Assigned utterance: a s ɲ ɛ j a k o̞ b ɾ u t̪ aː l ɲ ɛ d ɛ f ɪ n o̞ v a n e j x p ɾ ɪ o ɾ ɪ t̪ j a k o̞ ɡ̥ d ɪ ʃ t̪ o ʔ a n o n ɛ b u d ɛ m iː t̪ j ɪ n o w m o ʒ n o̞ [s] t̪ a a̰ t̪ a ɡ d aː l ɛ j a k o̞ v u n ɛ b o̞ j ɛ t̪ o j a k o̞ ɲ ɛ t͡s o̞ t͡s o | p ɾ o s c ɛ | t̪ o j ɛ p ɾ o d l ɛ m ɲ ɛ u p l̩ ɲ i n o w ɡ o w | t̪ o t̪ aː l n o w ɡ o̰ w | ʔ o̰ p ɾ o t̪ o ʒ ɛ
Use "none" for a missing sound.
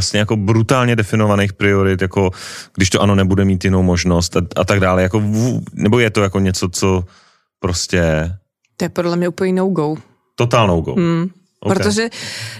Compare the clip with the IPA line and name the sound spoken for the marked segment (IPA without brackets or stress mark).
s